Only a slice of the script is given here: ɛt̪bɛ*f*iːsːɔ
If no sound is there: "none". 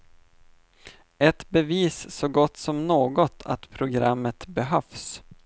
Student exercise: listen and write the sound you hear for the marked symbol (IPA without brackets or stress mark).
v